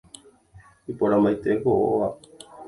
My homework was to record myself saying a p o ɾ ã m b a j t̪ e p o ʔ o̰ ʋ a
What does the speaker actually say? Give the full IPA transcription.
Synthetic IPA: i p o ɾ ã m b a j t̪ e k o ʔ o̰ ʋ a